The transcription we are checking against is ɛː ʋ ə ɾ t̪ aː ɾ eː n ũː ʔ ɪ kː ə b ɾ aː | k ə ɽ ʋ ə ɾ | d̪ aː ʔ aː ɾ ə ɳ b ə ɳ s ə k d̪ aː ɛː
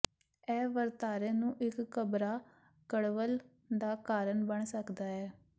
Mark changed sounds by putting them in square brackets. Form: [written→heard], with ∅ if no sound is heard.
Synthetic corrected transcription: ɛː ʋ ə ɾ t̪ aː ɾ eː n ũː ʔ ɪ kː ə b ɾ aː | k ə ɽ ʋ ə [ɾ→l] | d̪ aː [ʔ→k] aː ɾ ə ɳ b ə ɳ s ə k d̪ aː ɛː